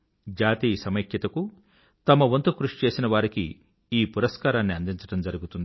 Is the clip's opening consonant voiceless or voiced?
voiced